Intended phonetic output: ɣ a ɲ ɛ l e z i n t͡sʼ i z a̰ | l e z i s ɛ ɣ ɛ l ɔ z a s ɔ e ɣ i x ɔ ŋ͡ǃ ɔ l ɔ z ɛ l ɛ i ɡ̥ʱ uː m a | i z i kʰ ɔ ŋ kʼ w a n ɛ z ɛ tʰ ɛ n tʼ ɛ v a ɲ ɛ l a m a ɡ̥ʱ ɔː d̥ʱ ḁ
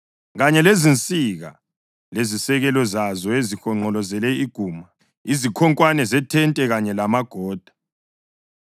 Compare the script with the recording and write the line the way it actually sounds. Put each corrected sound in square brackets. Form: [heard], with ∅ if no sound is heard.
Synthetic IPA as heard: ɣ a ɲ ɛ l e z i n t͡sʼ i [ɣ] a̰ | l e z i s ɛ ɣ ɛ l ɔ z a [z] ɔ e [z] i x ɔ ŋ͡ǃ ɔ l ɔ z ɛ l ɛ i ɡ̥ʱ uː m a | i z i kʰ ɔ ŋ kʼ w a n ɛ z ɛ tʰ ɛ n tʼ ɛ [ɣ] a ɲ ɛ l a m a ɡ̥ʱ ɔː d̥ʱ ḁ